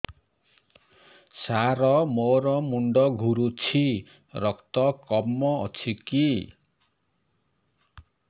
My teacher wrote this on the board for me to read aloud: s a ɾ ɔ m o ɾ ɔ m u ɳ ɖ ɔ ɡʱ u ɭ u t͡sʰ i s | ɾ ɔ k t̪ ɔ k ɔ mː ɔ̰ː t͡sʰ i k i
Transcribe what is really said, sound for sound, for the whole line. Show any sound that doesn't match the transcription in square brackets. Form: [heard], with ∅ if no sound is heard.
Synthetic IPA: s a ɾ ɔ m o ɾ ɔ m u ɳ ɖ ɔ ɡʱ u [ɾ] u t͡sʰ i [∅] | ɾ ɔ k t̪ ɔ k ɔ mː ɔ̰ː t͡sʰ i k i